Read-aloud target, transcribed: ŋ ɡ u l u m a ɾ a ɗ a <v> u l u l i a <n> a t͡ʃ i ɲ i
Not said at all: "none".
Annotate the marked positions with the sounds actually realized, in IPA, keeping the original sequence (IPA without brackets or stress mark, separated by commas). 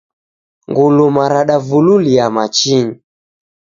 v, m